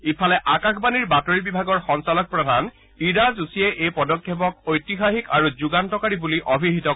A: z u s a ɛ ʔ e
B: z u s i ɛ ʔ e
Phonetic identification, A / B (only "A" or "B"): B